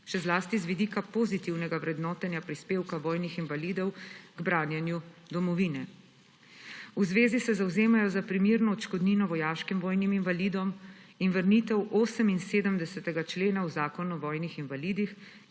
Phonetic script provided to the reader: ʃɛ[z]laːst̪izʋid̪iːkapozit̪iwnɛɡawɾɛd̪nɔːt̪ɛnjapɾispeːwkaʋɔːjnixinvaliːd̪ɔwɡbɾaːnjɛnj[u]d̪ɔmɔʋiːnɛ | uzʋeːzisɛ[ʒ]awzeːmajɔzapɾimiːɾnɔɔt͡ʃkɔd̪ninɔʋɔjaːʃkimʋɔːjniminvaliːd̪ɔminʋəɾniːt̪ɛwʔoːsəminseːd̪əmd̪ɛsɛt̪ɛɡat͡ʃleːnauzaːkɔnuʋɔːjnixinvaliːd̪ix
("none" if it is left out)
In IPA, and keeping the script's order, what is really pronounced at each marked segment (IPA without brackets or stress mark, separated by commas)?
z, u, z